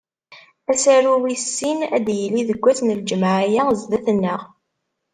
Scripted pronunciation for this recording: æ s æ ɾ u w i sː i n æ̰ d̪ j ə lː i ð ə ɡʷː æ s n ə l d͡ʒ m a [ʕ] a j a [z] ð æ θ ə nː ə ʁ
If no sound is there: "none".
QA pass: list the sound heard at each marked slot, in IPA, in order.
ʕ, z

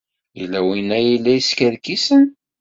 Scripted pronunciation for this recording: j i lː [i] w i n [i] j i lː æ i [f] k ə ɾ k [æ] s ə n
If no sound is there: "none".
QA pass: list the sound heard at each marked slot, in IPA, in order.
æ, æ, s, i

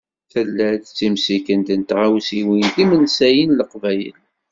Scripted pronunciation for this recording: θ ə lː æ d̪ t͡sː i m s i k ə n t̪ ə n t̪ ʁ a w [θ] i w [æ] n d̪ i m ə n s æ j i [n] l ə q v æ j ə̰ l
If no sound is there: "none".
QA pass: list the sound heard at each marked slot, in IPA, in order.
s, i, n

